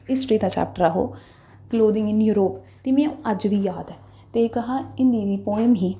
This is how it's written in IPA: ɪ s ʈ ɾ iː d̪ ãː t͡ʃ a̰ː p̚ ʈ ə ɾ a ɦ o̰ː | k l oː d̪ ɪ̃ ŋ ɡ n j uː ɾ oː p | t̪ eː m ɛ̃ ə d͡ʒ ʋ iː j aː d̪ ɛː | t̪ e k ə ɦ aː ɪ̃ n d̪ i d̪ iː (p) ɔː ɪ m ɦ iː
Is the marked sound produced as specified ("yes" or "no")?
yes